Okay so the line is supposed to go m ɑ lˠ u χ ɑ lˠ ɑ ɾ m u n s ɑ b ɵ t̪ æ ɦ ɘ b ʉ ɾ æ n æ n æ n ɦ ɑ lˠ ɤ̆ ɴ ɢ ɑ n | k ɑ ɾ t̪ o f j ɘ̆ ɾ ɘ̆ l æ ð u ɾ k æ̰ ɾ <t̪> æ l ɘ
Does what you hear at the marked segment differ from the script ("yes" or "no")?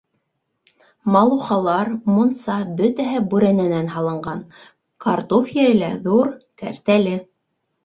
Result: no